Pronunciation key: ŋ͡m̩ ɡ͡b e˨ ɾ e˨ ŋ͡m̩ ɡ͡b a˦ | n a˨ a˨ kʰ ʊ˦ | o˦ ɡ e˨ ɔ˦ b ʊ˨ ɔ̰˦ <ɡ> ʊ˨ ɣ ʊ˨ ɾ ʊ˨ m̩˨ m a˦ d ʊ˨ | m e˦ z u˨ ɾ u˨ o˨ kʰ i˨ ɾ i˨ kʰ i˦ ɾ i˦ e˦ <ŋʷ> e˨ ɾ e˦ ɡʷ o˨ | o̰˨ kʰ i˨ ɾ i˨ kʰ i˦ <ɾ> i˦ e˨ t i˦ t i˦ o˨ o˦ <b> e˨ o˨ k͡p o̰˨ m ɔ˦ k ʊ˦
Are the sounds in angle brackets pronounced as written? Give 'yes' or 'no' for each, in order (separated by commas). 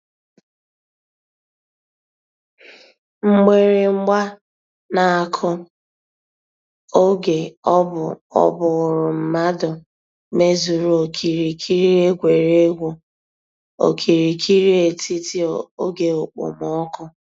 no, no, yes, no